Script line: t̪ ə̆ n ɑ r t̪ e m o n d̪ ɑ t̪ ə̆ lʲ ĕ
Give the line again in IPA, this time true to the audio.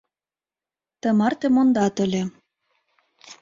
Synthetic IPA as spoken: t̪ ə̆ m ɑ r t̪ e m o n d̪ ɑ t̪ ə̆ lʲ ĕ